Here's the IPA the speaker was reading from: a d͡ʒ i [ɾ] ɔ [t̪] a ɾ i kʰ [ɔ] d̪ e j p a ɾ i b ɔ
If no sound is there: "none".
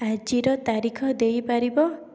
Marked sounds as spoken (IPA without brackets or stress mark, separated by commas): ɾ, t̪, ɔ